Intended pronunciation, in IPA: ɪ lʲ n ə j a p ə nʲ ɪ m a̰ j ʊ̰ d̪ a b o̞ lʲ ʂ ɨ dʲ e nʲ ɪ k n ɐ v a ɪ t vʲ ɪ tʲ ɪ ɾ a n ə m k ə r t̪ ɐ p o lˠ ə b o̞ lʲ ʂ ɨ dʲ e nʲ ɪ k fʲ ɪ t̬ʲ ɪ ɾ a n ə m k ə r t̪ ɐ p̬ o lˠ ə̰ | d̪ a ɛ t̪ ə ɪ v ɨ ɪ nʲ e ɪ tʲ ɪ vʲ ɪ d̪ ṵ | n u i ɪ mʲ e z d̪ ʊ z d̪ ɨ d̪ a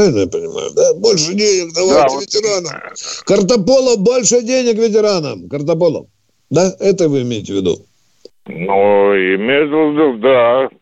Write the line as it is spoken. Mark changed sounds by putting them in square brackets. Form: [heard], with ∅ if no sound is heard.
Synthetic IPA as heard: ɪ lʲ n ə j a p ə nʲ ɪ m a̰ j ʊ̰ d̪ a b o̞ lʲ ʂ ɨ dʲ e nʲ ɪ k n ɐ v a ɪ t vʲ ɪ tʲ ɪ ɾ a n ə m k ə r t̪ ɐ p o lˠ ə b o̞ lʲ ʂ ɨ dʲ e nʲ ɪ k [vʲ] ɪ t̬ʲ ɪ ɾ a n ə m k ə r t̪ ɐ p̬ o lˠ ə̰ | d̪ a ɛ t̪ ə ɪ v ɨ ɪ [mʲ] e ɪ tʲ ɪ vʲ ɪ d̪ ṵ | n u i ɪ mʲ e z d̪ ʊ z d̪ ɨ d̪ a